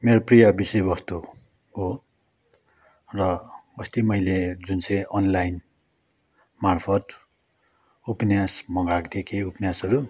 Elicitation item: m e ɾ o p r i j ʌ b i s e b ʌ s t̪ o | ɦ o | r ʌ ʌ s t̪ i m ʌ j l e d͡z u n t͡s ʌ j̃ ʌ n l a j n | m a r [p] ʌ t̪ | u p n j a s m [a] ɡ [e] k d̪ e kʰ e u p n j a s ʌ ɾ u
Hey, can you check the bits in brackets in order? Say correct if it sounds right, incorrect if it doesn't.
incorrect, incorrect, incorrect

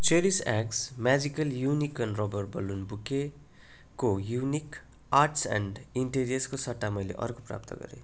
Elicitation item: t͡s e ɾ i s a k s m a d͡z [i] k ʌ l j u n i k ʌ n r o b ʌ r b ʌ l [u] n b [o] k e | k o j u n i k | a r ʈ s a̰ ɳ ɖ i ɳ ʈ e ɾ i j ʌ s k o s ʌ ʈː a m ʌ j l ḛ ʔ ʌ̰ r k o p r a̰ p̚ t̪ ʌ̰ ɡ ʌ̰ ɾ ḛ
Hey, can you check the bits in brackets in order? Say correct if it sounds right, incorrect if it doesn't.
correct, correct, incorrect

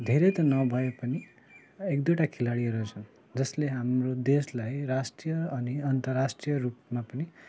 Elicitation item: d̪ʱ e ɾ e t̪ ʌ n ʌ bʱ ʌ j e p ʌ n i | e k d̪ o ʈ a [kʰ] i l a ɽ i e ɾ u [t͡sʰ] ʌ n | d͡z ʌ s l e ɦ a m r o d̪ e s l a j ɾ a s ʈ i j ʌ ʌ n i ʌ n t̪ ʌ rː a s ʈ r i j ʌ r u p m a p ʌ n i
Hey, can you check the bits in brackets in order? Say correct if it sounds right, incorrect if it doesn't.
correct, correct

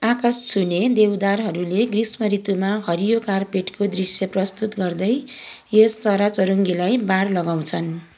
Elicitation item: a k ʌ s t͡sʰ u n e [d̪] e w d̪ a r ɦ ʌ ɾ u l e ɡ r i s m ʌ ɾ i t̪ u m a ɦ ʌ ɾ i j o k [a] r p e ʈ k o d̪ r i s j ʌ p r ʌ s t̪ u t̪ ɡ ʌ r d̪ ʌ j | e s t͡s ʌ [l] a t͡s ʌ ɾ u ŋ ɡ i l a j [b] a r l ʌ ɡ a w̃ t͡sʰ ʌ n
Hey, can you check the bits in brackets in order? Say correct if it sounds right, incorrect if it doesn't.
correct, correct, incorrect, correct

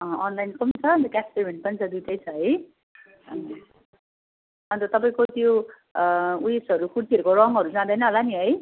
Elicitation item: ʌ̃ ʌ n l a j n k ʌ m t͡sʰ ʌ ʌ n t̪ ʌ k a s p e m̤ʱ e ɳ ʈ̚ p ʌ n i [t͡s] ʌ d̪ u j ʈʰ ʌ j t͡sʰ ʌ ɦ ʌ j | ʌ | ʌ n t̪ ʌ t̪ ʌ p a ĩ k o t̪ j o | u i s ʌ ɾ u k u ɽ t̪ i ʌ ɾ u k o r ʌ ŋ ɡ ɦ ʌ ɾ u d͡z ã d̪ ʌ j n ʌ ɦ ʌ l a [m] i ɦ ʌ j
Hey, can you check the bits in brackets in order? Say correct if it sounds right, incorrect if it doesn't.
incorrect, incorrect

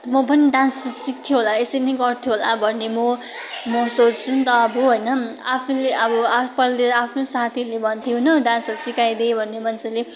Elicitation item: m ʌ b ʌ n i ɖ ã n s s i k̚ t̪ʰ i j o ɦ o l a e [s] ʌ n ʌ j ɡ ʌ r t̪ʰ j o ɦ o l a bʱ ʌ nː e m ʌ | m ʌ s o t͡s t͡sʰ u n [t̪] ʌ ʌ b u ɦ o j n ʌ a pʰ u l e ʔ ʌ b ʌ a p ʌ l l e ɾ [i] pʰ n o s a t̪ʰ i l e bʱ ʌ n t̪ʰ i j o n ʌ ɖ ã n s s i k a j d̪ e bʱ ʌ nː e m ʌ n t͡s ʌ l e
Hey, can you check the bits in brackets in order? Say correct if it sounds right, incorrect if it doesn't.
correct, correct, incorrect

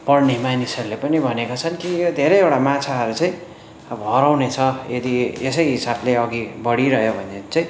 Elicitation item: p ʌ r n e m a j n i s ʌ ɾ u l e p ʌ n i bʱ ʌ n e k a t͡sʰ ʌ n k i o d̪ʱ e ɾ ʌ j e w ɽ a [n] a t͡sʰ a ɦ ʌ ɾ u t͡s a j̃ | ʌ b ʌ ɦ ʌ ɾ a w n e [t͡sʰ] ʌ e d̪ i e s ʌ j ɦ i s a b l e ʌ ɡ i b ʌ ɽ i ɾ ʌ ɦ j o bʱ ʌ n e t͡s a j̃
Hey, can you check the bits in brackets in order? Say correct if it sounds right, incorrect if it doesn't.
incorrect, correct

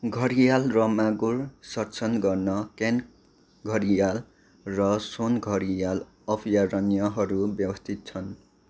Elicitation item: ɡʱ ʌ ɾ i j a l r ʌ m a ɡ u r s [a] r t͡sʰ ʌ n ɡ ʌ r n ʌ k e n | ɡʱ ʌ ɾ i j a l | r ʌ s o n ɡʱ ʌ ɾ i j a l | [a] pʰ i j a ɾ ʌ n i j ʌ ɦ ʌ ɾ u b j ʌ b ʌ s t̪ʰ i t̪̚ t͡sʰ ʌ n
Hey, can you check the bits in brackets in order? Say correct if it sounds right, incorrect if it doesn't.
incorrect, incorrect

